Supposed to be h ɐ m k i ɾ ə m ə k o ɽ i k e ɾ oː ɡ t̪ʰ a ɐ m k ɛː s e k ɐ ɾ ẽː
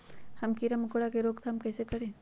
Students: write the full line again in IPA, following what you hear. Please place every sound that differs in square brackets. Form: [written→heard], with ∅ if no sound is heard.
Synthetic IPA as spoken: h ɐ m k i ɾ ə m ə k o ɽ [i→a] k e ɾ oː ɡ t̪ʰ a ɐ m k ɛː s e k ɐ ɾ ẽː